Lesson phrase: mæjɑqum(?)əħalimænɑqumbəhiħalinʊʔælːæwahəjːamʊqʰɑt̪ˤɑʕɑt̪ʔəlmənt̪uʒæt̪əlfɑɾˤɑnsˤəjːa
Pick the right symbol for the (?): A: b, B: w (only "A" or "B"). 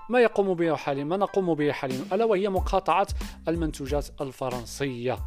A